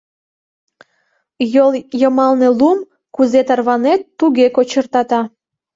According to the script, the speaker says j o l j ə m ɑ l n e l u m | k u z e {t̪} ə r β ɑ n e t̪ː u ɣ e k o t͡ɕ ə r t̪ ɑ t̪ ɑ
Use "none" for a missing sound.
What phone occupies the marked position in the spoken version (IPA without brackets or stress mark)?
t̪